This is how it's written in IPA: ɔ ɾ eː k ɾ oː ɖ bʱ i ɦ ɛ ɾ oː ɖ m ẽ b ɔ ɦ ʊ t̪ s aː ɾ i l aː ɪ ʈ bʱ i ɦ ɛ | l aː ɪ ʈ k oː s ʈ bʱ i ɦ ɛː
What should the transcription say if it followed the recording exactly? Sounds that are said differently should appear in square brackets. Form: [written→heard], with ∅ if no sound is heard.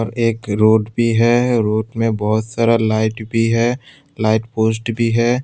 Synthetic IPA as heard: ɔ ɾ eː k ɾ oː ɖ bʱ i ɦ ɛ ɾ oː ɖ m ẽ b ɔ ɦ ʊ t̪ s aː ɾ [i→a] l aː ɪ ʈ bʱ i ɦ ɛ | l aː ɪ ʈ [k→p] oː s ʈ bʱ i ɦ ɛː